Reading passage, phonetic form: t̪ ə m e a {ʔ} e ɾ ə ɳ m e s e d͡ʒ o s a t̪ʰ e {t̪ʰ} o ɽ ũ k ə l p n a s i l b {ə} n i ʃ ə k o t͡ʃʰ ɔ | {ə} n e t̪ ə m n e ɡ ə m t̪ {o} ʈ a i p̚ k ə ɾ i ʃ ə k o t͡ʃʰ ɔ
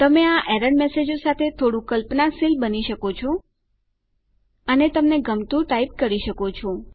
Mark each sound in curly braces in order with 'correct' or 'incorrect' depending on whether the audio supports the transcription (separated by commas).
correct, correct, correct, correct, incorrect